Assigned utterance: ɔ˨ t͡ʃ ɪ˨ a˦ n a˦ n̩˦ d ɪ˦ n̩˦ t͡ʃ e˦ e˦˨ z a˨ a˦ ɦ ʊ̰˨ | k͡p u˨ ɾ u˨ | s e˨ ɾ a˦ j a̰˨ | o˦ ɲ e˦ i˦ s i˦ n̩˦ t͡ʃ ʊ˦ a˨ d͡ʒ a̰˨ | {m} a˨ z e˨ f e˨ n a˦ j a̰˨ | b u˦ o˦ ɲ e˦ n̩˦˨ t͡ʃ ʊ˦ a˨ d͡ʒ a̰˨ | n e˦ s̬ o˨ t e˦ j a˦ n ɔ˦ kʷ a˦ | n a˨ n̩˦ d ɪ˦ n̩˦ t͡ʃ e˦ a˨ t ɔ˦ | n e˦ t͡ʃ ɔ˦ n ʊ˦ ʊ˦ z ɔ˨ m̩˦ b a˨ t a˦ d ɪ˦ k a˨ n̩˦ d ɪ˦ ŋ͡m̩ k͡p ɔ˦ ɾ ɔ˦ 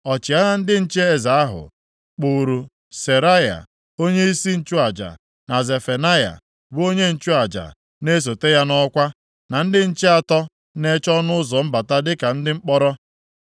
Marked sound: incorrect: n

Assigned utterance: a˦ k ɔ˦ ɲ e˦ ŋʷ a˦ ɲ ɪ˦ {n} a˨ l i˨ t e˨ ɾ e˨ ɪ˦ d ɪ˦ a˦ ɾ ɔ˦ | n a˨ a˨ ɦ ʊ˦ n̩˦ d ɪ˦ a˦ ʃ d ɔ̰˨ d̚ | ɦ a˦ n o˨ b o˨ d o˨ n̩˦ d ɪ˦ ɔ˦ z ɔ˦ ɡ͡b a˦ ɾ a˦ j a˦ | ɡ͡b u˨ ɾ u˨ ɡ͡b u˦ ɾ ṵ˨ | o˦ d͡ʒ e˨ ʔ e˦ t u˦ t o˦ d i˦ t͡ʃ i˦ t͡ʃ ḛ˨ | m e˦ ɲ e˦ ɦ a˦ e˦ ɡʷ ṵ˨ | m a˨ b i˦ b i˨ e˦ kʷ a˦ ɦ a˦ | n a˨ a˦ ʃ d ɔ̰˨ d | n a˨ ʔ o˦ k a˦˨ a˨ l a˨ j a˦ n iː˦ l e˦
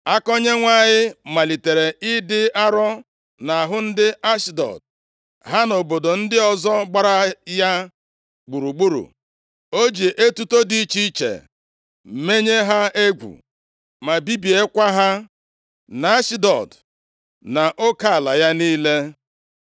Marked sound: incorrect: m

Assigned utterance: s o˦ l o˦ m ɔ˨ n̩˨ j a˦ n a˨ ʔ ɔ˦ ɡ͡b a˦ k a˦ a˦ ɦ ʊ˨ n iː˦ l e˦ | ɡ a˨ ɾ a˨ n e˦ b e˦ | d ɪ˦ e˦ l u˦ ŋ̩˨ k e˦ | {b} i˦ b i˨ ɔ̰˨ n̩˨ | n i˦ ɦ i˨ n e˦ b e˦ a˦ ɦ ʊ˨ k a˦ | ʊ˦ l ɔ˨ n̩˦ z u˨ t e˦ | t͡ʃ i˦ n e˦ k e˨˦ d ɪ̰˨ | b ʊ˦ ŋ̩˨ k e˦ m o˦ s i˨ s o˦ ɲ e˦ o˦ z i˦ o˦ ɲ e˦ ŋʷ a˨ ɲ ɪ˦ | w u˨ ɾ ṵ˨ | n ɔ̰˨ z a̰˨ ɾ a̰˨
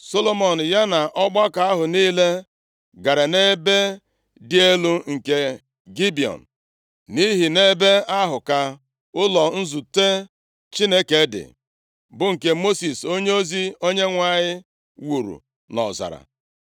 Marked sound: incorrect: ɡ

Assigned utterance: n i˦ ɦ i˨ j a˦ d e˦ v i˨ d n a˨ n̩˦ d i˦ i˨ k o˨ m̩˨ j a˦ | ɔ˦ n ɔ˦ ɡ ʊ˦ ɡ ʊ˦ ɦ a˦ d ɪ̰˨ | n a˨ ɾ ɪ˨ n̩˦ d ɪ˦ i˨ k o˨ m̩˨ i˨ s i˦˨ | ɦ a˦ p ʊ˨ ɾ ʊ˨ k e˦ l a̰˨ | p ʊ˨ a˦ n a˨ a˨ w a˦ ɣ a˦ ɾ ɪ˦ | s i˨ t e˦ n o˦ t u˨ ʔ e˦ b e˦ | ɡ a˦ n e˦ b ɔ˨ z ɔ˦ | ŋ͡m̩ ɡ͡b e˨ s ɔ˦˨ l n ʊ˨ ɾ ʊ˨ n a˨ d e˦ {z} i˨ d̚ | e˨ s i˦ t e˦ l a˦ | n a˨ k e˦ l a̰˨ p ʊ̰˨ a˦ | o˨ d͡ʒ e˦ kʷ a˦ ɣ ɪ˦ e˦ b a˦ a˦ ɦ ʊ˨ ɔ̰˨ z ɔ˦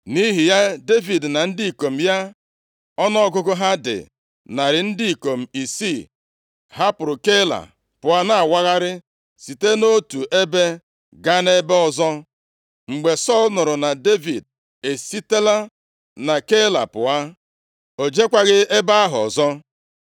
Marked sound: incorrect: v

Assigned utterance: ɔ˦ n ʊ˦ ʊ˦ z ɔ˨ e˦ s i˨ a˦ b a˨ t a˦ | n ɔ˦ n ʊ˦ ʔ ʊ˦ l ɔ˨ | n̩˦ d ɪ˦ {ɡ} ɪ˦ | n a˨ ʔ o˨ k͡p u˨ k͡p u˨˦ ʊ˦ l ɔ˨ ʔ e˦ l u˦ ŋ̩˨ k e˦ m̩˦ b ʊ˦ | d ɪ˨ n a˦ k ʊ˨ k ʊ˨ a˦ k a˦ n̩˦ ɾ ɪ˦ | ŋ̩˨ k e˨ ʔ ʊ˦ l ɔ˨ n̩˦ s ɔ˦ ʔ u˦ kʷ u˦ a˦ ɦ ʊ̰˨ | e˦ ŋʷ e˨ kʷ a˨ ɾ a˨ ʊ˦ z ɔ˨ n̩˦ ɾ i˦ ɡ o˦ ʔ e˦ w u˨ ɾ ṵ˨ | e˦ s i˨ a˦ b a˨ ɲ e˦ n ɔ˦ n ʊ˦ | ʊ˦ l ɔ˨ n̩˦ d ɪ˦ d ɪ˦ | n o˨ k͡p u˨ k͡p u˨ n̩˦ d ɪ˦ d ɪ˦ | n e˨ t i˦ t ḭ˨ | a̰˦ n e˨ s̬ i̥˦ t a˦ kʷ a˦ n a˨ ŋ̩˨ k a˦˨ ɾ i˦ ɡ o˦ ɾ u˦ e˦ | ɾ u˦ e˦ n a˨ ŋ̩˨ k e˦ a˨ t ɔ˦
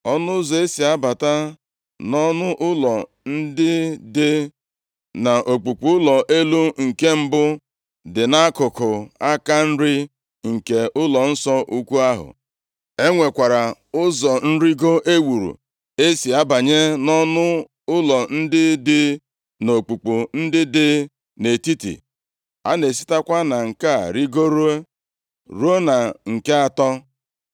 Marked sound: incorrect: d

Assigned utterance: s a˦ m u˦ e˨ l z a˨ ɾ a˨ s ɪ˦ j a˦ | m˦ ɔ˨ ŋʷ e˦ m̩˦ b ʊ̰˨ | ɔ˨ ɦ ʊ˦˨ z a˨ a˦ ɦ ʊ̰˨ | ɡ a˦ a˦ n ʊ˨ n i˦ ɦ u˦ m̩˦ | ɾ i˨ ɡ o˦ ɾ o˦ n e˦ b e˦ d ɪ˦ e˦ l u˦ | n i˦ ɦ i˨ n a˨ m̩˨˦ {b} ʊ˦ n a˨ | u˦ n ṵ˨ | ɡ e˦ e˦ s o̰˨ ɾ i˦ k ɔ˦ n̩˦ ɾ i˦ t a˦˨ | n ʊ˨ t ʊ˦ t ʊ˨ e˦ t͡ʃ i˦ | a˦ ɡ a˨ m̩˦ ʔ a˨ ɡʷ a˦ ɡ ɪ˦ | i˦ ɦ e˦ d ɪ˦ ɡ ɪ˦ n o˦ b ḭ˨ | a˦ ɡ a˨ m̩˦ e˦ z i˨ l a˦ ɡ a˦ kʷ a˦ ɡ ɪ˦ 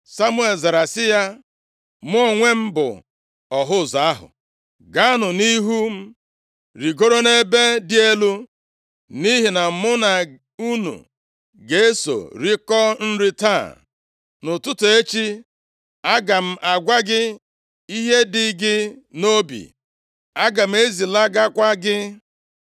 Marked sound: incorrect: m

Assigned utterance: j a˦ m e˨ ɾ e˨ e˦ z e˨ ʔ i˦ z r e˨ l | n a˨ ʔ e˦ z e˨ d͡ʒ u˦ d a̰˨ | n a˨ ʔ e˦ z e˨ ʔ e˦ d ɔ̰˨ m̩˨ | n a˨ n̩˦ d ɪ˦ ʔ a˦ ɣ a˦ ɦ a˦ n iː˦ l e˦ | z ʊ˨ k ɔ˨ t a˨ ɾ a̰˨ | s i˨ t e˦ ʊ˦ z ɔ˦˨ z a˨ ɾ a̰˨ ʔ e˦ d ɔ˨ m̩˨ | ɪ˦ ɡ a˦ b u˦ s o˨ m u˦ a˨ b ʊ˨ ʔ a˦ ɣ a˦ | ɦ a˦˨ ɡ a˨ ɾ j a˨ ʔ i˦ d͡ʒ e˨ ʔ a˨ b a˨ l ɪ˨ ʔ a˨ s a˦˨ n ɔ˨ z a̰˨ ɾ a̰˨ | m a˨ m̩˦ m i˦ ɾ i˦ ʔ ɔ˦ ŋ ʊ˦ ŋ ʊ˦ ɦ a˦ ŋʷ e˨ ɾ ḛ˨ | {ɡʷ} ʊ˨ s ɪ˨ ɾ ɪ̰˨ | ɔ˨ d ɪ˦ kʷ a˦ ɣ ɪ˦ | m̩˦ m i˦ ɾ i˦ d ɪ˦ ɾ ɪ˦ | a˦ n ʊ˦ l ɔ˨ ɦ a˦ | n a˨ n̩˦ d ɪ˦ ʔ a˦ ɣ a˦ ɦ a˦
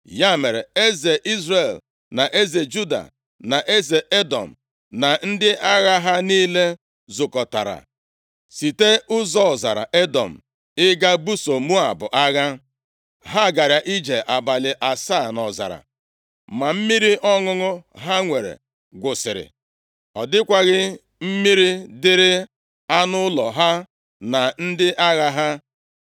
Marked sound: correct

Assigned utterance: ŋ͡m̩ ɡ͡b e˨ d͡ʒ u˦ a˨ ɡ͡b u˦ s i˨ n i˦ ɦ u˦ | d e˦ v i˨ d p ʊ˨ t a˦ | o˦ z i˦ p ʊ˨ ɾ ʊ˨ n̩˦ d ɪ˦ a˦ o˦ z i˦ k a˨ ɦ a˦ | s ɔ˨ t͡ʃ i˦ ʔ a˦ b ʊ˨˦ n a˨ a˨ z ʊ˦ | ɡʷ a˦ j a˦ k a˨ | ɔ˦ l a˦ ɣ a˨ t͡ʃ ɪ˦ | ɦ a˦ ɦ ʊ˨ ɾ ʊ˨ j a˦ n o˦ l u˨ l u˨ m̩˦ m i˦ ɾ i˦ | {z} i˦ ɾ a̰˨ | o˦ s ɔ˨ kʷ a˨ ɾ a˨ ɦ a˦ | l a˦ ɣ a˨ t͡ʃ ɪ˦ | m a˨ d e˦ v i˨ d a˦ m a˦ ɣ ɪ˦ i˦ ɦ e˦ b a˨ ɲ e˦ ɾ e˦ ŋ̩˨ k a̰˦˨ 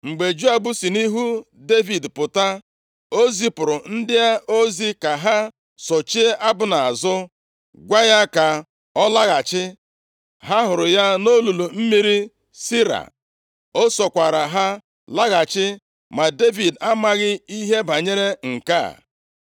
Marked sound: incorrect: s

